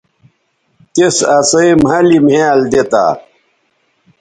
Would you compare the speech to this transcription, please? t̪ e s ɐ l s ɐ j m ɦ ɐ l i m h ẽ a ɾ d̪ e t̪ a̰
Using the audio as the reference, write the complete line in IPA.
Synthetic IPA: t̪ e s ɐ s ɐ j m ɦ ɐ l i m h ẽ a l d̪ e t̪ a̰